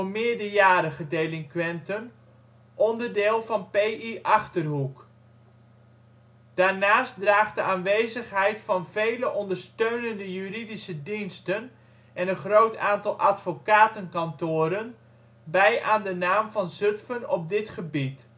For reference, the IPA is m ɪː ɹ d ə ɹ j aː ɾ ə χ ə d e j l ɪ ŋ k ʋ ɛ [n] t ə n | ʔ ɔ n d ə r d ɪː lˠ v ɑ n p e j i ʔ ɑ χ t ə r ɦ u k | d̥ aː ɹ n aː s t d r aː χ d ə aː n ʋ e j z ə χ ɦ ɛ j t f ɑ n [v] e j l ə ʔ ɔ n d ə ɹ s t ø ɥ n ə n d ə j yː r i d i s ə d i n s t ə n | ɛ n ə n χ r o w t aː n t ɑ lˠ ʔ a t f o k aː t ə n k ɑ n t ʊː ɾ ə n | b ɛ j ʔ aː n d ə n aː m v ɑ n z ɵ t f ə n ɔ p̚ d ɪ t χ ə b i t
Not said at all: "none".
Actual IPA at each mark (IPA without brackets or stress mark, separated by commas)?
n, v